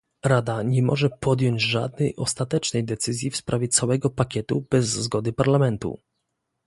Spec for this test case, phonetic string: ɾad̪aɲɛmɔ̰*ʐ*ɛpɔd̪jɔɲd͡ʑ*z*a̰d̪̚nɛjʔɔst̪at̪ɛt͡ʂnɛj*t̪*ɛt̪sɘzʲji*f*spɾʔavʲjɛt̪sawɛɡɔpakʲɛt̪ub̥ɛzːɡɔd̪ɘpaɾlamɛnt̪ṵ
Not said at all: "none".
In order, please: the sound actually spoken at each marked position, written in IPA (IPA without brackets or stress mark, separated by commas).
ʐ, ʐ, d̪, f